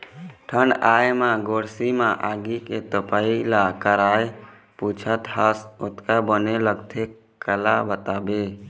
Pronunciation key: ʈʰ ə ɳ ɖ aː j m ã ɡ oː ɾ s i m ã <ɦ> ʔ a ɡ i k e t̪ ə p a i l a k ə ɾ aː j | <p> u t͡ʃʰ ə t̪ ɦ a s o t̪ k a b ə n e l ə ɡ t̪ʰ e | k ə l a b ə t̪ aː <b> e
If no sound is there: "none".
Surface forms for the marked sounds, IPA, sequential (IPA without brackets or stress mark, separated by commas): none, p, b